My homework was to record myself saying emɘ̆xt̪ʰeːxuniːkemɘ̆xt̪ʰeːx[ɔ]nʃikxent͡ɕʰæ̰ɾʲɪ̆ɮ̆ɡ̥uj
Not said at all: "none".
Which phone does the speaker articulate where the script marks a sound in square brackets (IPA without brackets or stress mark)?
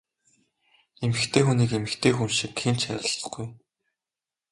u